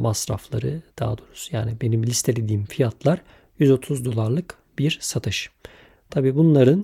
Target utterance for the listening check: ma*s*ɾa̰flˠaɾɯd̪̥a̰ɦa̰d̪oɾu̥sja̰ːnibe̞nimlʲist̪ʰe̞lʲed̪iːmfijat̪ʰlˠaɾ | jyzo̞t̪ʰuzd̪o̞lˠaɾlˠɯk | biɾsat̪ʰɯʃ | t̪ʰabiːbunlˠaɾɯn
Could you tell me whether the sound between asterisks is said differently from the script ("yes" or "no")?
no